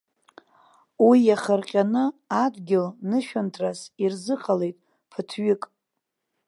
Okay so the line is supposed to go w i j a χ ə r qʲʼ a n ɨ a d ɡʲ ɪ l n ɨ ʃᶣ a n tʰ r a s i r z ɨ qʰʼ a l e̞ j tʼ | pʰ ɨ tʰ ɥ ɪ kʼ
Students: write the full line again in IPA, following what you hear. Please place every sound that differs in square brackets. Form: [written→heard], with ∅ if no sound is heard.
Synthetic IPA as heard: w i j a χ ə r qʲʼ a n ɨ a d ɡʲ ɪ l n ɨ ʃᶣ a n tʰ r a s i r z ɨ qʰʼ a l e̞ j tʼ | pʰ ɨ tʰ ɥ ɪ kʼ